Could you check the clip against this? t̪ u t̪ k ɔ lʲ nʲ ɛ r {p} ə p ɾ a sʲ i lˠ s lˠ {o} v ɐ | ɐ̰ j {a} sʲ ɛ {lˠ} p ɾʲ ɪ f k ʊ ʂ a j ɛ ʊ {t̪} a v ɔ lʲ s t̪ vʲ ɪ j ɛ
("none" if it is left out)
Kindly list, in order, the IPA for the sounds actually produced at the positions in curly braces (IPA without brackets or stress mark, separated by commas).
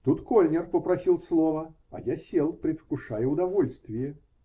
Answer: p, ɔ, a, lˠ, d̪